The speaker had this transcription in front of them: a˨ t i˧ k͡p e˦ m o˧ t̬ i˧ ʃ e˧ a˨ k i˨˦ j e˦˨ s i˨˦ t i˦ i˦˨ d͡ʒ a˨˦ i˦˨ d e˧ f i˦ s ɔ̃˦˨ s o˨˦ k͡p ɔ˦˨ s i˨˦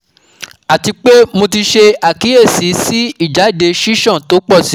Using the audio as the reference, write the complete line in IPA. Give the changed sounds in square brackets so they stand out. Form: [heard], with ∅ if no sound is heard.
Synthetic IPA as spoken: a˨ t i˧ k͡p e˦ m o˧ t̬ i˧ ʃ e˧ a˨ k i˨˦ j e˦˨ s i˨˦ [s] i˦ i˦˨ d͡ʒ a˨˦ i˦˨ d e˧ [ʃ] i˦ [ʃ] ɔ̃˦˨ [t] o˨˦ k͡p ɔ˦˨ s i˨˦